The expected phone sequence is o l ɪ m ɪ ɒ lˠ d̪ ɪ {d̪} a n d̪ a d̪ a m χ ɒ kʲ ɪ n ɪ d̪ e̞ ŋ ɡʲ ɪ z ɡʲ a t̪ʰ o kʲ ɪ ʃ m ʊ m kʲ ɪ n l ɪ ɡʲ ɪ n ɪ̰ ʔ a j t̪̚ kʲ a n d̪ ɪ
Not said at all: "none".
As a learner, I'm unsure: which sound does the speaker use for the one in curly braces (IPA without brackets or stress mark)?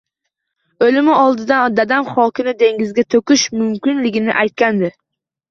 d̪